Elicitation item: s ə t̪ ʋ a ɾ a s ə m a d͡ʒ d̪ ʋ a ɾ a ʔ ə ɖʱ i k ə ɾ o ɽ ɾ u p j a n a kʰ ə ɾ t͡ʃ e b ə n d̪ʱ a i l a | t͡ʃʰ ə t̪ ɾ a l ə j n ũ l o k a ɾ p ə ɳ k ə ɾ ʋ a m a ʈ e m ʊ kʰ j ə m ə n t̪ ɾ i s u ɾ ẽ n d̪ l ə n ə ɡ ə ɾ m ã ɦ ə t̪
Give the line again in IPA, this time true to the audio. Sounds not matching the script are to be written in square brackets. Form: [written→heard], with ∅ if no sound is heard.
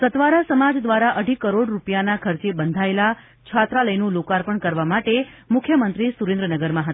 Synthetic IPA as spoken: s ə t̪ ʋ a ɾ a s ə m a d͡ʒ d̪ ʋ a ɾ a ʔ ə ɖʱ i k ə ɾ o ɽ ɾ u p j a n a kʰ ə ɾ t͡ʃ e b ə n d̪ʱ a [i→e] l a | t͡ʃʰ [ə→a] t̪ ɾ a l ə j n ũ l o k a ɾ p ə ɳ k ə ɾ ʋ a m a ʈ e m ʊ kʰ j ə m ə n t̪ ɾ i s u ɾ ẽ n d̪ [l→ɾ] ə n ə ɡ ə ɾ m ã ɦ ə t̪